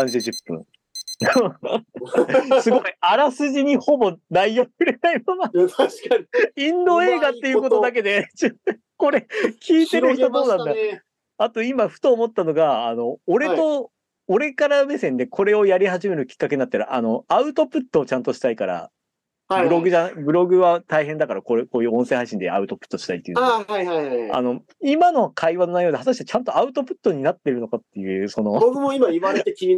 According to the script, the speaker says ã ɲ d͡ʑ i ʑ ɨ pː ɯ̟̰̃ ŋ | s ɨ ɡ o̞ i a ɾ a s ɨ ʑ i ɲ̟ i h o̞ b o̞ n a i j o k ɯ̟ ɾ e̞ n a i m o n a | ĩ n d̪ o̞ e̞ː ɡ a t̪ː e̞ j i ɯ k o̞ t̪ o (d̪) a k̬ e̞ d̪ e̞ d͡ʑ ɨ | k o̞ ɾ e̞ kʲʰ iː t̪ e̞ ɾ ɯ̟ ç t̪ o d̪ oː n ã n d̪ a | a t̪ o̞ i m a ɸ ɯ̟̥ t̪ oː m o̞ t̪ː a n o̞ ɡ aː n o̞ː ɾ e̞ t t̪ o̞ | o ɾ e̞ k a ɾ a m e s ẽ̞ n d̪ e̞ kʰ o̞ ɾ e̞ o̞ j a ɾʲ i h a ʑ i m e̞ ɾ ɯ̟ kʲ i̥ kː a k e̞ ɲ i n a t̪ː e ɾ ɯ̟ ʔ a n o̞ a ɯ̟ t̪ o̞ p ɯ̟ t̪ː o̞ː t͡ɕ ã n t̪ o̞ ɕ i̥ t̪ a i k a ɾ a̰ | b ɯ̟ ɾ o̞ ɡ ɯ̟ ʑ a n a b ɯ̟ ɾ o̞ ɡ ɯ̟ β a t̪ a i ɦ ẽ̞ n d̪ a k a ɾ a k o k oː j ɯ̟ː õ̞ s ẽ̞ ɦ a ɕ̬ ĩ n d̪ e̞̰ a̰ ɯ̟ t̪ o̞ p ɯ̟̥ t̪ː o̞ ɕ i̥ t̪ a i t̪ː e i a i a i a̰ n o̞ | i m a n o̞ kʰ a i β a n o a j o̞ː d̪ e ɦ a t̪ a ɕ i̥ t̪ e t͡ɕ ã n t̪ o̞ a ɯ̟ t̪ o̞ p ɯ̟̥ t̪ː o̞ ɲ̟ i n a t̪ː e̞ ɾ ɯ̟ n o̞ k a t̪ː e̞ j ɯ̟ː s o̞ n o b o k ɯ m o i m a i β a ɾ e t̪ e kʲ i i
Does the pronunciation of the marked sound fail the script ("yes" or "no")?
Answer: no